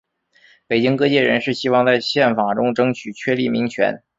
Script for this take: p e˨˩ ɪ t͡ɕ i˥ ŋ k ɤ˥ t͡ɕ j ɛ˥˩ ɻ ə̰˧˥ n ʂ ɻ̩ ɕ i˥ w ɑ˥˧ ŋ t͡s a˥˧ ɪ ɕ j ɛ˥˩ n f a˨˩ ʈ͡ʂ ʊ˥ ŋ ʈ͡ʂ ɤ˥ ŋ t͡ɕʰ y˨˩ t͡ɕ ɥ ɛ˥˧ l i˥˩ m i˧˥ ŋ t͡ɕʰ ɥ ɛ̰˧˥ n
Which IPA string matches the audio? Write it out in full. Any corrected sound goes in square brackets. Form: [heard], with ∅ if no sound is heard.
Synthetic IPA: p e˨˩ ɪ t͡ɕ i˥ ŋ k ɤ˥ t͡ɕ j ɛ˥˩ ɻ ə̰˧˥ n ʂ ɻ̩ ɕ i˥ w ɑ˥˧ ŋ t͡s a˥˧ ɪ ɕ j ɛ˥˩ n f a˨˩ ʈ͡ʂ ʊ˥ ŋ ʈ͡ʂ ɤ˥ ŋ t͡ɕʰ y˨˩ [t͡ɕʰ] ɥ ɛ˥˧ l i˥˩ m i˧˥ ŋ t͡ɕʰ ɥ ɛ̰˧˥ n